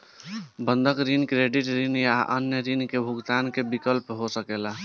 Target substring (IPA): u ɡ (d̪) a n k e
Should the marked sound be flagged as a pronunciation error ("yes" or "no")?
yes